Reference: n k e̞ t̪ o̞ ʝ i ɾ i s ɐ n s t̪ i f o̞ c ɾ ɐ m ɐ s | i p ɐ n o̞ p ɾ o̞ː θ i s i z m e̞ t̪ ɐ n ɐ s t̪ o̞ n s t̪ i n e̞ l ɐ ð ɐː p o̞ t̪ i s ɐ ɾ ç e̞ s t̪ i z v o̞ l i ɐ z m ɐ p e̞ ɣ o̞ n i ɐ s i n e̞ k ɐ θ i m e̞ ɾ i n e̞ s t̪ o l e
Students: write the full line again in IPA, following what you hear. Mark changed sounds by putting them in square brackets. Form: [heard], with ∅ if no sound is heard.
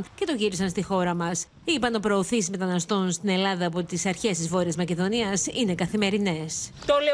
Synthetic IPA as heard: n [c] e̞ t̪ o̞ ʝ i ɾ i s ɐ n s t̪ i [x] o̞ [∅] ɾ ɐ m ɐ s | i p ɐ n o̞ p ɾ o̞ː θ i s i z m e̞ t̪ ɐ n ɐ s t̪ o̞ n s t̪ i n e̞ l ɐ ð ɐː p o̞ t̪ i s ɐ ɾ ç e̞ s t̪ i z v o̞ [ɾ] i ɐ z m ɐ [c] e̞ [ð] o̞ n i ɐ s i n e̞ k ɐ θ i m e̞ ɾ i n e̞ s t̪ o l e